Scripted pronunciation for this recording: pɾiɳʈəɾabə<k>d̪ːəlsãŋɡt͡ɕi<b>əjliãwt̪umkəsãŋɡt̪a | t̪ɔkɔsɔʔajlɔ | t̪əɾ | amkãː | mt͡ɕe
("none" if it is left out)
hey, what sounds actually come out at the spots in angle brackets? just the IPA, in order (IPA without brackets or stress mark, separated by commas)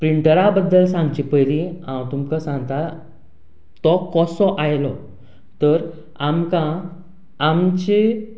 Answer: none, p